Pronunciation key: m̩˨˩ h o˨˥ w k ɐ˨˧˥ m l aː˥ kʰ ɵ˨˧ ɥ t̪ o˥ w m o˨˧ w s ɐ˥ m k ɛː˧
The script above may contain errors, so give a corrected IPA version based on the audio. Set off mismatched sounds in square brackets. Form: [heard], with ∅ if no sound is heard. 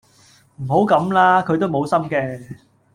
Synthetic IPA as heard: m̩˨˩ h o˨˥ w k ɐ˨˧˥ m l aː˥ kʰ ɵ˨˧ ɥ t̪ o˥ w m o˨˧ w s ɐ˥ m k ɛː˧